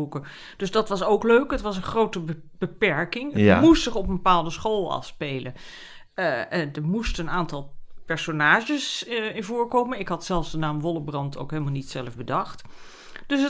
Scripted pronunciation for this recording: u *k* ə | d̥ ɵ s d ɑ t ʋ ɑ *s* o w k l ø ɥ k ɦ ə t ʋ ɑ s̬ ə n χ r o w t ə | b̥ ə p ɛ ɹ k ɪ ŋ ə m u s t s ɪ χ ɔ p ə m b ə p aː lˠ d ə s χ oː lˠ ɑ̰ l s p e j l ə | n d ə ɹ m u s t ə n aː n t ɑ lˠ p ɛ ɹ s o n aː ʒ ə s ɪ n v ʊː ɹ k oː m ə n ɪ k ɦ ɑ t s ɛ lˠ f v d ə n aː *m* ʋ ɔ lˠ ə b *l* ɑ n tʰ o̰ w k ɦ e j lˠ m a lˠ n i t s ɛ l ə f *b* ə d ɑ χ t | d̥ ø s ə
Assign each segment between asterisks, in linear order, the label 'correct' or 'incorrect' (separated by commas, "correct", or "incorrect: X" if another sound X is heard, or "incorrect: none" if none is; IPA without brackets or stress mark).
correct, correct, correct, incorrect: r, correct